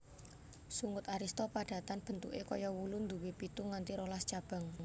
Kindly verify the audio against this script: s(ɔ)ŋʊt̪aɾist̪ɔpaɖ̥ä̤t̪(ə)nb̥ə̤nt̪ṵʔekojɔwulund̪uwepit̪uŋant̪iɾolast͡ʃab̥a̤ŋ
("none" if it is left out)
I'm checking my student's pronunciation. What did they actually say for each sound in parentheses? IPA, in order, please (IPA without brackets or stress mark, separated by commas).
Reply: u, a